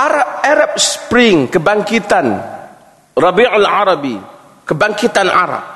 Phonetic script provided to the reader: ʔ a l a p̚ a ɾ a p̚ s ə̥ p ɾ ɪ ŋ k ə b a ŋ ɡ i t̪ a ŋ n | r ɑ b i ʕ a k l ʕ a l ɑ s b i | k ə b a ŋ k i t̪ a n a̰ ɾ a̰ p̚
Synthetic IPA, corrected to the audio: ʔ a ɾ a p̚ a ɾ a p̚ s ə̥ p ɾ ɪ ŋ k ə b a ŋ k i t̪ a n | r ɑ b i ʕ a l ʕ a ɾ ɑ b i | k ə b a ŋ k i t̪ a n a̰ ɾ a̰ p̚